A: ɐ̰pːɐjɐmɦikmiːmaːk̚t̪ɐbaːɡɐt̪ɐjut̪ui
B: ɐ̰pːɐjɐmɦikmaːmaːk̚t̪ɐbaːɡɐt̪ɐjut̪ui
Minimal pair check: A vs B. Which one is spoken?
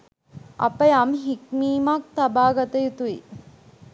A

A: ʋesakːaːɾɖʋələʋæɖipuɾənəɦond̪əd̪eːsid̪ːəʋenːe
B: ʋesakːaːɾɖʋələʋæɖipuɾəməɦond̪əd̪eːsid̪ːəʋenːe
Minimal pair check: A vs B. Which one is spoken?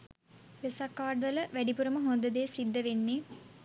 B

